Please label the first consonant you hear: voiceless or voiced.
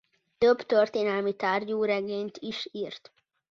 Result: voiceless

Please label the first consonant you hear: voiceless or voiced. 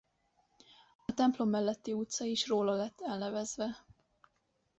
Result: voiceless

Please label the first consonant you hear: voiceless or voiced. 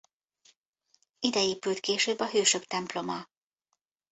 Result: voiced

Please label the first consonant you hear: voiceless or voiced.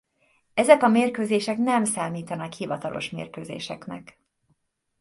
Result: voiced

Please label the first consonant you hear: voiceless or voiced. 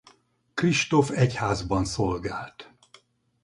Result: voiceless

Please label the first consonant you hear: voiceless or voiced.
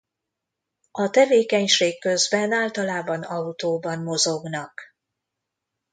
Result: voiceless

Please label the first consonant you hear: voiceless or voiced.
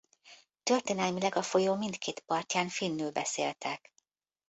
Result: voiceless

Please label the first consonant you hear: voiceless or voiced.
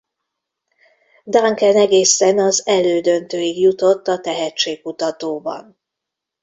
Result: voiced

